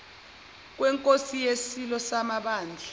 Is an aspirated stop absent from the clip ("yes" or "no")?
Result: yes